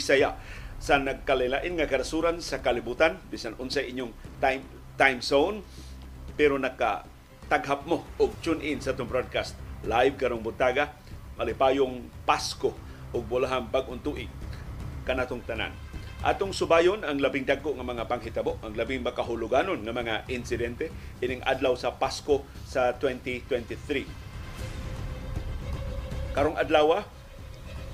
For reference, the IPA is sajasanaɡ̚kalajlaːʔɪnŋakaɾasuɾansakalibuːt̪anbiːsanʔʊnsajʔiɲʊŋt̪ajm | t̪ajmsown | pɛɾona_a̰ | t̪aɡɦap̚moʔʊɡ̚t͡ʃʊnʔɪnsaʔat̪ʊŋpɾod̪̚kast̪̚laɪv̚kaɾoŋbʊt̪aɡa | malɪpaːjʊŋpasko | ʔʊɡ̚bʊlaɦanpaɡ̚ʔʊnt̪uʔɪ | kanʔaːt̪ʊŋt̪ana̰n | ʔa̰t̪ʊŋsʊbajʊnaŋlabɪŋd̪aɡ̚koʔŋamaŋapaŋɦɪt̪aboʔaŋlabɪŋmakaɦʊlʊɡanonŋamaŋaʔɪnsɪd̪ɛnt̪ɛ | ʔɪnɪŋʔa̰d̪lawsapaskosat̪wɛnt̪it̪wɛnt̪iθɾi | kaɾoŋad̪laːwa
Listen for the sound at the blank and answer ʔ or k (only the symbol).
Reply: k